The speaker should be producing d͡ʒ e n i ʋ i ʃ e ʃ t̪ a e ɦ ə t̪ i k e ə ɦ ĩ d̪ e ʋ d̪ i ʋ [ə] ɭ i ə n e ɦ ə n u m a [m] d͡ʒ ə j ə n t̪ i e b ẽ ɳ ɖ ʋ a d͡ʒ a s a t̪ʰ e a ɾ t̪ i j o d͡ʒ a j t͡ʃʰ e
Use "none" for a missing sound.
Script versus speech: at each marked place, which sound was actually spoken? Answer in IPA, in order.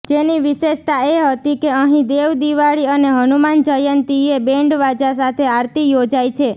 a, n

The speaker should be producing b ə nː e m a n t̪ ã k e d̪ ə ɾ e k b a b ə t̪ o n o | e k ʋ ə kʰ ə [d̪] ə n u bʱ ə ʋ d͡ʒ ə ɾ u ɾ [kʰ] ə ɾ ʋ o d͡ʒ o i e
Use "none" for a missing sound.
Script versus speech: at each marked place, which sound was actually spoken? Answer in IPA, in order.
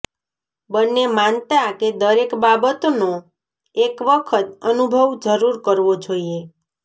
t̪, k

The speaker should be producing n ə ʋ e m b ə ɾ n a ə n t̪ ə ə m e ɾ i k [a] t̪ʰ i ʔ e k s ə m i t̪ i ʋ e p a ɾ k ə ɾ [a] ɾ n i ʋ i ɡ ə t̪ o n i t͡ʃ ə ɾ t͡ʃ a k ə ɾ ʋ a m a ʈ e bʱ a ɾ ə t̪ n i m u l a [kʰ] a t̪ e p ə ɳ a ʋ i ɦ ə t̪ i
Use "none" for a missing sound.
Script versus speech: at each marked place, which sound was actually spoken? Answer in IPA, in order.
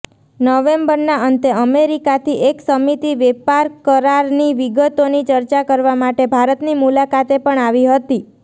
a, a, k

